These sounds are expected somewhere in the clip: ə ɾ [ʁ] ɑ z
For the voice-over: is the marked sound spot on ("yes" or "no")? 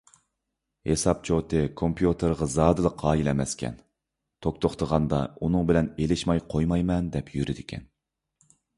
yes